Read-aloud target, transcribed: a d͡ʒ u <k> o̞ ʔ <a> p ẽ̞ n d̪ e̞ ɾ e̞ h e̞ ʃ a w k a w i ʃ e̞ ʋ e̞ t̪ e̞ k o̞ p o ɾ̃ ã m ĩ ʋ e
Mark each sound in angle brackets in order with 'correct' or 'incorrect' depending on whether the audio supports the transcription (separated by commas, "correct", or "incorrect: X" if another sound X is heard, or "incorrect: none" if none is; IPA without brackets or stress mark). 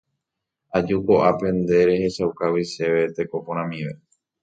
correct, correct